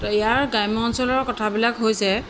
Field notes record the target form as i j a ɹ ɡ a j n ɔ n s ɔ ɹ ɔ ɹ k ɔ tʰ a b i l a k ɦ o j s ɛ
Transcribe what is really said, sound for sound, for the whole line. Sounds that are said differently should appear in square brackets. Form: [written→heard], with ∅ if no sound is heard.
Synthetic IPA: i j a ɹ ɡ a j [n→m] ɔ n s ɔ [ɹ→l] ɔ ɹ k ɔ tʰ a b i l a k ɦ o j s ɛ

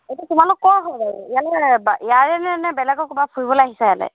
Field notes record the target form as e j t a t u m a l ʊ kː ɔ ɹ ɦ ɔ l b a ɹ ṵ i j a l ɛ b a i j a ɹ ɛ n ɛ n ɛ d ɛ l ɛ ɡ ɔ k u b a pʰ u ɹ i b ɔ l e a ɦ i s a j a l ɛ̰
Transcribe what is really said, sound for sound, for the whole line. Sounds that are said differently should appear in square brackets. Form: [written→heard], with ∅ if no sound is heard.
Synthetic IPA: e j t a t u m a l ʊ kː ɔ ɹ ɦ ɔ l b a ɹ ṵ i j a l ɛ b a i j a ɹ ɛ n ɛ n ɛ [d→b] ɛ l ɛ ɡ ɔ k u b a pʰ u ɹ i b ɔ l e a ɦ i s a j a l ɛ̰

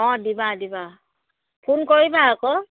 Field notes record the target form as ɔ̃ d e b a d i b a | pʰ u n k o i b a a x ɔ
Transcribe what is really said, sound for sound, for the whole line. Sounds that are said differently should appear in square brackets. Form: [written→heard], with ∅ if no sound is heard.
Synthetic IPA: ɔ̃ d [e→i] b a d i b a | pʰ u n k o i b a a [x→k] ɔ

